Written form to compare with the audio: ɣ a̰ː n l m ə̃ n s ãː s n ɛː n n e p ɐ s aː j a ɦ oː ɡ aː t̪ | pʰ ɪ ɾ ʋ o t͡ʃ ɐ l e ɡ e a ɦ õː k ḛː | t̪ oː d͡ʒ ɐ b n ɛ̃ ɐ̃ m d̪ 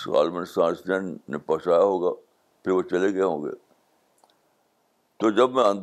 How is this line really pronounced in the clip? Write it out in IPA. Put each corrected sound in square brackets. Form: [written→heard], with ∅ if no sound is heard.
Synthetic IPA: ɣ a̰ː [n→∅] l m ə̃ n s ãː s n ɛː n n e p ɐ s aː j a ɦ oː ɡ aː [t̪→∅] | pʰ ɪ ɾ ʋ o t͡ʃ ɐ l e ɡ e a ɦ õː [k→ɡ] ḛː | t̪ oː d͡ʒ ɐ b [n→m] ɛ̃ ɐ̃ [m→n] d̪